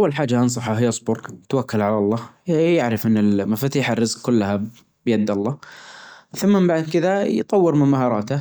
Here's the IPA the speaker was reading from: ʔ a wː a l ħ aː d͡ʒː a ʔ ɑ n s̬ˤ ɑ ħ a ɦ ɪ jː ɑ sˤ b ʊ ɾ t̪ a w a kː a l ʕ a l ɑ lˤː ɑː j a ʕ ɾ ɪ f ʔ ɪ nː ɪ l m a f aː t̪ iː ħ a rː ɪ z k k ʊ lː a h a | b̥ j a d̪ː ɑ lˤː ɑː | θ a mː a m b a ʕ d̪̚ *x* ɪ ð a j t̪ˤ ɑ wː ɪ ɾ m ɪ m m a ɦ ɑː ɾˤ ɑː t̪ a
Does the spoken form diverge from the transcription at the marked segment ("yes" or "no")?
yes